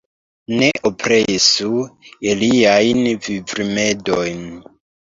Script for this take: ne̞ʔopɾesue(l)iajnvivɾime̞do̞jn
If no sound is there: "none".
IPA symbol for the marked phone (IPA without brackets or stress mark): l